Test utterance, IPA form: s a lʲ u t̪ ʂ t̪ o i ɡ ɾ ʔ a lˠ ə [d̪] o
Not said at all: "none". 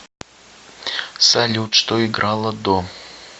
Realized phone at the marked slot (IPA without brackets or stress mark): d̪